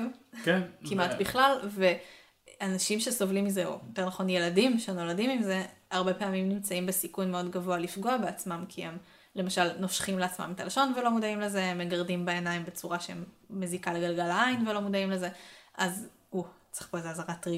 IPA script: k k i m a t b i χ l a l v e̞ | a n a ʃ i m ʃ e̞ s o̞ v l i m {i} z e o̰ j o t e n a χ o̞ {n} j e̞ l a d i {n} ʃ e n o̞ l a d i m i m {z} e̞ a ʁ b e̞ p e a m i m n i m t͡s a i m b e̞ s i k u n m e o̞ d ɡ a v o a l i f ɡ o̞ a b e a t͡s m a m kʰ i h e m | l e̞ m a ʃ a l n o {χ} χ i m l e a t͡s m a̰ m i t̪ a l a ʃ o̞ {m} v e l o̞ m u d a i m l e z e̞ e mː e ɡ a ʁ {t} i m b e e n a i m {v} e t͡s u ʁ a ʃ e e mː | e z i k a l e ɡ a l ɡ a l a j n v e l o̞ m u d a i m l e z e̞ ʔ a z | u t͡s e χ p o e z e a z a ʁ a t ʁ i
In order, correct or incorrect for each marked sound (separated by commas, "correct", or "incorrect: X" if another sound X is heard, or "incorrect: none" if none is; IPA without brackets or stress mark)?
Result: correct, correct, incorrect: m, correct, incorrect: ʃ, incorrect: n, incorrect: d, incorrect: b